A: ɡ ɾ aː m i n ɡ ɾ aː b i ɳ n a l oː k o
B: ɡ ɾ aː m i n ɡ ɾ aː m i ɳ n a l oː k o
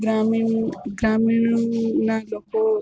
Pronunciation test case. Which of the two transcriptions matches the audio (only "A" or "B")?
B